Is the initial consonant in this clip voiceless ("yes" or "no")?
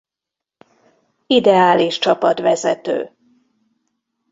no